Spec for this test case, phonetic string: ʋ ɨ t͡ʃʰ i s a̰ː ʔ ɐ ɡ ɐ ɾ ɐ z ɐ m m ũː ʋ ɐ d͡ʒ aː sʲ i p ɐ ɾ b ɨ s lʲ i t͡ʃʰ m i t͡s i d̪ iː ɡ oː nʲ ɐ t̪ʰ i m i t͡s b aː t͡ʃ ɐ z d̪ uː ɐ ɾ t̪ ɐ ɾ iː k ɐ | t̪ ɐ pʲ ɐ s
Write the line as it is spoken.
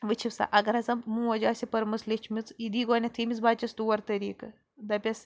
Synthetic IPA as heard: ʋ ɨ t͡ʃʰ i s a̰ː ʔ ɐ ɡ ɐ ɾ ɐ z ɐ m m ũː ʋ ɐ d͡ʒ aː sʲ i p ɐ ɾ m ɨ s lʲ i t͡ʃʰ m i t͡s i d̪ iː ɡ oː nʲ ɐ t̪ʰ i m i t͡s b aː t͡ʃ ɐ s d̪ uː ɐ ɾ t̪ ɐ ɾ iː k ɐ | d̪ ɐ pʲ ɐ s